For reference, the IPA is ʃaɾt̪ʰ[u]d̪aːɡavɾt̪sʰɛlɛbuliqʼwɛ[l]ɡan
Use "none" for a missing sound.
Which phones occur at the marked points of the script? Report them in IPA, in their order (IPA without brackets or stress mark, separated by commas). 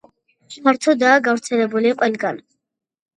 ɔ, l